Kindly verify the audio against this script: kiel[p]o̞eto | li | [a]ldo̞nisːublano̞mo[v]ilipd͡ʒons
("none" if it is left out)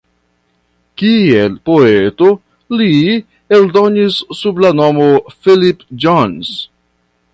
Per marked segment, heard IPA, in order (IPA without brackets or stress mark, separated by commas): p, e, f